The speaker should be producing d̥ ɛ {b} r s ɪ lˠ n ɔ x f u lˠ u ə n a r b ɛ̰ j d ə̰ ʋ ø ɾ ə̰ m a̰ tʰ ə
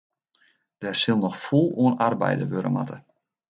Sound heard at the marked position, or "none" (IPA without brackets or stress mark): none